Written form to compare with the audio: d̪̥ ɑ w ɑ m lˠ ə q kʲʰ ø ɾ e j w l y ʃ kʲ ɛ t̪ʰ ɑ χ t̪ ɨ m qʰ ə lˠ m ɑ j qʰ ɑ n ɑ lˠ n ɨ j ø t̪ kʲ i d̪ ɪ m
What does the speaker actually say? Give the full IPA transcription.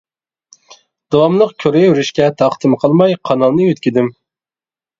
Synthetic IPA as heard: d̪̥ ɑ w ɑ m lˠ ə q kʲʰ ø ɾ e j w ɾ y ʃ kʲ ɛ t̪ʰ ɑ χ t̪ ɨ m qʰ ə lˠ m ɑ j qʰ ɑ n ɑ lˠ n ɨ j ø t̪ kʲ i d̪ ɪ m